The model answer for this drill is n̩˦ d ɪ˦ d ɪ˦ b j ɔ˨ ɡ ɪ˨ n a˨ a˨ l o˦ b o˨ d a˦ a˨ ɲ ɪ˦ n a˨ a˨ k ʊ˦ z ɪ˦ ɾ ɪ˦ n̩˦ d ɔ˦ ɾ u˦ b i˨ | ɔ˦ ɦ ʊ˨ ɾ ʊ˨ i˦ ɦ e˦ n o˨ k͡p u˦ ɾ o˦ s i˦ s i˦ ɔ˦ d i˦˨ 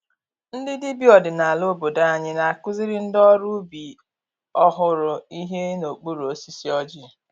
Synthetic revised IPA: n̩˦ d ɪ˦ d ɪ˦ b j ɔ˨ d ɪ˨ n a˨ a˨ l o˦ b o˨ d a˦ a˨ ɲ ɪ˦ n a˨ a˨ k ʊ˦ z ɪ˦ ɾ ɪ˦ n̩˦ d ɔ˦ ɾ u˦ b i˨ | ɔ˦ ɦ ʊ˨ ɾ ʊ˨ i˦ ɦ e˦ n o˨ k͡p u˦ ɾ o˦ s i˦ s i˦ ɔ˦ d͡ʒ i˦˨

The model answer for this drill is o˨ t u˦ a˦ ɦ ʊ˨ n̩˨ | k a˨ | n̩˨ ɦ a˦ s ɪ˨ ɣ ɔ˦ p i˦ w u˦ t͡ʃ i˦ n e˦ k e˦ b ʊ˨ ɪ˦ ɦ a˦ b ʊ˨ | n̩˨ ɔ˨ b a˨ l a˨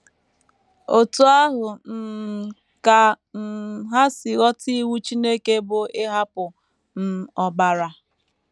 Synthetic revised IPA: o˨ t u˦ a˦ ɦ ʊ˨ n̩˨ | k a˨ | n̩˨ ɦ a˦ s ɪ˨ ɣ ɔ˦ t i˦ w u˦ t͡ʃ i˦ n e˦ k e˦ b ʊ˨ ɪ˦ ɦ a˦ p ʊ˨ | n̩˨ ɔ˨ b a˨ ɾ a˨

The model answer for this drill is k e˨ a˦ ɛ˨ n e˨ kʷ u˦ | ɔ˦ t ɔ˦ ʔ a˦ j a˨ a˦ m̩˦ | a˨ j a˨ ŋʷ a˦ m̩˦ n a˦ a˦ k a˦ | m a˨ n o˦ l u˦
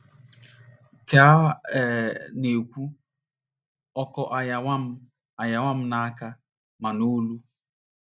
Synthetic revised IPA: k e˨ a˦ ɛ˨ n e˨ kʷ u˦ | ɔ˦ k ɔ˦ ʔ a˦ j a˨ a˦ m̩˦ | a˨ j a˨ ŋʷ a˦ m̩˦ n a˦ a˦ k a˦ | m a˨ n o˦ l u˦

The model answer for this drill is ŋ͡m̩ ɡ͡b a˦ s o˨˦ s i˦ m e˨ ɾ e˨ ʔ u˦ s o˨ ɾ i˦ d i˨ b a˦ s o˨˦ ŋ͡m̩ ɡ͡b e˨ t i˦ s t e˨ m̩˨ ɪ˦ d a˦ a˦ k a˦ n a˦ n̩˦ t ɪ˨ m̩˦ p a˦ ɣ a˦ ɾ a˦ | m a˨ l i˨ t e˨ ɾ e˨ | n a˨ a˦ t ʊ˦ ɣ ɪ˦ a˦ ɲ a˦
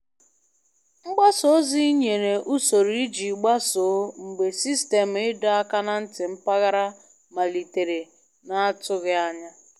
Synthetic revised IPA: ŋ͡m̩ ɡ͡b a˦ s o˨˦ z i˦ ɲ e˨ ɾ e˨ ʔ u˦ s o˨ ɾ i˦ d͡ʒ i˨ ɡ͡b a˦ s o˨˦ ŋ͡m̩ ɡ͡b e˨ s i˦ s t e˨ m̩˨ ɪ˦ d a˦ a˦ k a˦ n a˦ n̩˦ t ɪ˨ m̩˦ p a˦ ɣ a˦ ɾ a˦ | m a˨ l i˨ t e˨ ɾ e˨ | n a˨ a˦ t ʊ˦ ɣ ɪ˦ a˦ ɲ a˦

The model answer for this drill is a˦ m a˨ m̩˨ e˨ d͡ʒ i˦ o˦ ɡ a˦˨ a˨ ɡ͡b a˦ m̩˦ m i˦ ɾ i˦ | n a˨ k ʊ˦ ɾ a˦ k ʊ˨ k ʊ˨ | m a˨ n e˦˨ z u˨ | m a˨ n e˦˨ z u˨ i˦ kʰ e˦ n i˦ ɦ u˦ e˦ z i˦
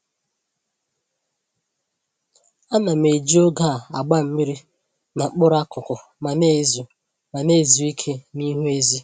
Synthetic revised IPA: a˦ n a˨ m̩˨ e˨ d͡ʒ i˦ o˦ ɡ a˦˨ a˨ ɡ͡b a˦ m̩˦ m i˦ ɾ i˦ | n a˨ k͡p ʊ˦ ɾ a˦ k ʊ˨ k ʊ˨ | m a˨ n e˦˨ z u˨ | m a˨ n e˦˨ z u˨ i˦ kʰ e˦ n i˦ ɦ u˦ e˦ z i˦

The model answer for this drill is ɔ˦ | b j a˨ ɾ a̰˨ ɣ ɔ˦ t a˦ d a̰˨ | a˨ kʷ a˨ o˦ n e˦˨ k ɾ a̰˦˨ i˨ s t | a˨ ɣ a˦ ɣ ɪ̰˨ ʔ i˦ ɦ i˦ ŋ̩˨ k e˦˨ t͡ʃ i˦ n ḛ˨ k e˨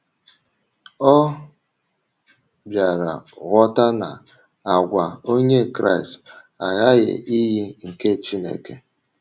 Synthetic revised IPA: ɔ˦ | b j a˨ ɾ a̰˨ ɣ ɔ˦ t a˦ n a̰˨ | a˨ ɡʷ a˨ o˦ ɲ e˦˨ k ɾ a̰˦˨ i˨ s t | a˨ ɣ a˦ ɣ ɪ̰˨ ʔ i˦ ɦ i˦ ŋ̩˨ k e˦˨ t͡ʃ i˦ n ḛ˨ k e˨

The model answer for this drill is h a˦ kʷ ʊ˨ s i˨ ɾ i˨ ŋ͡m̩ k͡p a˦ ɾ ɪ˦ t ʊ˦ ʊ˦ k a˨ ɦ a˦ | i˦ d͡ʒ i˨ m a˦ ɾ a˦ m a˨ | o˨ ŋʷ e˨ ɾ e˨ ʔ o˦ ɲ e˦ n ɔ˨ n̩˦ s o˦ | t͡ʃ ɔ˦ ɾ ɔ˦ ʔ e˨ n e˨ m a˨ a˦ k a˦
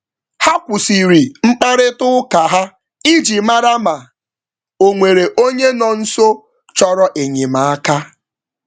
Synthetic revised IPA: h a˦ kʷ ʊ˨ s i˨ ɾ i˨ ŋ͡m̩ k͡p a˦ ɾ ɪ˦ t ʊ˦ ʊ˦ k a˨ ɦ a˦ | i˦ d͡ʒ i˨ m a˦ ɾ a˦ m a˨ | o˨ ŋʷ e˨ ɾ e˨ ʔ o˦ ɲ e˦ n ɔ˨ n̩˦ s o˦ | t͡ʃ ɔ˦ ɾ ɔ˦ ʔ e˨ ɲ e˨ m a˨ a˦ k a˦

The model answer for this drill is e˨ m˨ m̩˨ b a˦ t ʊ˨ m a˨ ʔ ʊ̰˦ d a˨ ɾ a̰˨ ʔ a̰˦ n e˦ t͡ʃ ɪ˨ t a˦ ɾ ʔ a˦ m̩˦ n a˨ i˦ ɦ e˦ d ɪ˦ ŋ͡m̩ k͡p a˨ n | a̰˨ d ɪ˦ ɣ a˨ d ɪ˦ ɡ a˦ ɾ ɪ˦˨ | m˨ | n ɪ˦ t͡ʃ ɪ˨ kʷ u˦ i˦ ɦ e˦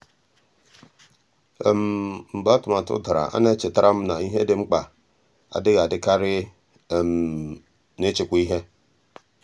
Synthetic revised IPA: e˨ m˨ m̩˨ b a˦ t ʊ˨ m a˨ t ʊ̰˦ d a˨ ɾ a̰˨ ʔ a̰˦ n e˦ t͡ʃ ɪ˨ t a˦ ɾ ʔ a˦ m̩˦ n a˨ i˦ ɦ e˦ d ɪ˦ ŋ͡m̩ k͡p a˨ | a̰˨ d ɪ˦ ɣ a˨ d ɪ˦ k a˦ ɾ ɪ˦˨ | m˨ | n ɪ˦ t͡ʃ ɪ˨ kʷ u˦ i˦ ɦ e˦

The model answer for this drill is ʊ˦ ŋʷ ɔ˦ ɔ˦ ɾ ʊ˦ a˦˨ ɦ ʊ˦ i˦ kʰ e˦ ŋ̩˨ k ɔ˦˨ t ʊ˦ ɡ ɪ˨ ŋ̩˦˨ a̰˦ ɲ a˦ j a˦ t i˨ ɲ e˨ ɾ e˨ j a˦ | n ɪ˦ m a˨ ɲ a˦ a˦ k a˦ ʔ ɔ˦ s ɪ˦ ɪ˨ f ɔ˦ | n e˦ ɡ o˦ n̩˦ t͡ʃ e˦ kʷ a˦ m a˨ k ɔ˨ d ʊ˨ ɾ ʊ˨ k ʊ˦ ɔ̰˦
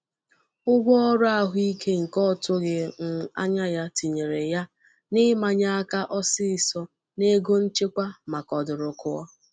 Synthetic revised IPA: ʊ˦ ɡʷ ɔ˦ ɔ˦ ɾ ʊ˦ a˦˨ ɦ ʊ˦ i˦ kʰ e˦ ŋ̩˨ k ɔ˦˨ t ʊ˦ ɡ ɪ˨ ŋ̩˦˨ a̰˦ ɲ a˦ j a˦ t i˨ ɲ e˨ ɾ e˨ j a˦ | n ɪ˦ m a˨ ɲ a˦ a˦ k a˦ ʔ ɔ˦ s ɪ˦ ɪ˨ s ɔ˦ | n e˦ ɡ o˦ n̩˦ t͡ʃ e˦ kʷ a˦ m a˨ k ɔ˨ d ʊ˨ ɾ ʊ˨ k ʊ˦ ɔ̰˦

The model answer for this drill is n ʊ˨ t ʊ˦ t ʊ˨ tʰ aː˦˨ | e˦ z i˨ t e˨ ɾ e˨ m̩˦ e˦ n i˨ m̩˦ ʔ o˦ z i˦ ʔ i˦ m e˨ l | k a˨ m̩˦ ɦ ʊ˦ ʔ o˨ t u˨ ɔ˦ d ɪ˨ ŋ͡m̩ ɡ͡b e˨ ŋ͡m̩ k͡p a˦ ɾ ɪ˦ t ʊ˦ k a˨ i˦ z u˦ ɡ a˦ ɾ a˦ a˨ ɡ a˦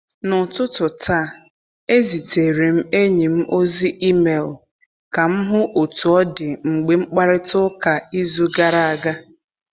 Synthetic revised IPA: n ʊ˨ t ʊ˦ t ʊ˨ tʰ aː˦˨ | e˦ z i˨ t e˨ ɾ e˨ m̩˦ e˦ ɲ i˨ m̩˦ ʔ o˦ z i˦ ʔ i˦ m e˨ l | k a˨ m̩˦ ɦ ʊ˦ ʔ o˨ t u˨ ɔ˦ d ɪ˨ ŋ͡m̩ ɡ͡b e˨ ŋ͡m̩ k͡p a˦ ɾ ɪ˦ t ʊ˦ k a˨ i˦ z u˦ ɡ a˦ ɾ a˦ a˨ ɡ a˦

